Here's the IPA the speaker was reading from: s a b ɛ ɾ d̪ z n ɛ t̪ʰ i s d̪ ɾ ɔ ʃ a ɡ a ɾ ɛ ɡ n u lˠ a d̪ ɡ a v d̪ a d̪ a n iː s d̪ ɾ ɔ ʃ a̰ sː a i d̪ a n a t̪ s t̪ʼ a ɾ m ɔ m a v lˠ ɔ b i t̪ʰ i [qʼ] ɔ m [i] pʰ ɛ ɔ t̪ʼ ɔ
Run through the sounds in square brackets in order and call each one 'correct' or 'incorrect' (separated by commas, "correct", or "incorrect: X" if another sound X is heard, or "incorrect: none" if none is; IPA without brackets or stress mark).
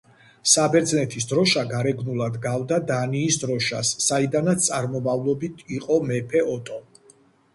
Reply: correct, incorrect: ɛ